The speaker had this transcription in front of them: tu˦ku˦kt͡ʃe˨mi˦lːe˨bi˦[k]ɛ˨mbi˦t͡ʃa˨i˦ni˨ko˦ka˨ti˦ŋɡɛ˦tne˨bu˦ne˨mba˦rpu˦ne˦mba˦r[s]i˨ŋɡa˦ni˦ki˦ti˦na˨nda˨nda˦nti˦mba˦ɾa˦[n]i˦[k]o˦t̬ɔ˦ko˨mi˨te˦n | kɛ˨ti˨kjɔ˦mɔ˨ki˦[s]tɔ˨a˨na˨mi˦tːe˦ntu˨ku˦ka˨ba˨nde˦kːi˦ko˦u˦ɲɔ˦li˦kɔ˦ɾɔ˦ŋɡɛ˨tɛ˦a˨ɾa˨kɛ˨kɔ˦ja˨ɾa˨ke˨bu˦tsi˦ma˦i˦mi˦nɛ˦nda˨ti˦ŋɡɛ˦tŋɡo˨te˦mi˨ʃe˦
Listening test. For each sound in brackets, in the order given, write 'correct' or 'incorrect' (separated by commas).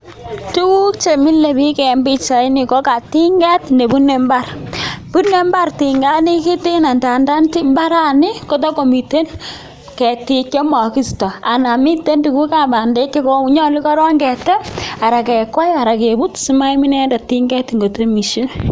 correct, incorrect, correct, correct, correct